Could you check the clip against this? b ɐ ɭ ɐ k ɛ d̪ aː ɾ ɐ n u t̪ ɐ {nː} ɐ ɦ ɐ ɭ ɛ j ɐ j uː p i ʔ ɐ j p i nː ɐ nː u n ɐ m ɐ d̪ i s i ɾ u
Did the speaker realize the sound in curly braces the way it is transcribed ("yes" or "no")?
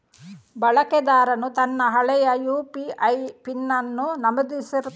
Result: yes